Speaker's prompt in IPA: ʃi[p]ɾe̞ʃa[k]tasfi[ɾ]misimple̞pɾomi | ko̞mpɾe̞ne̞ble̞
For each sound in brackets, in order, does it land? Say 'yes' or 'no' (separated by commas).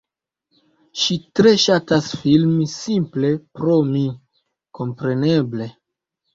no, no, no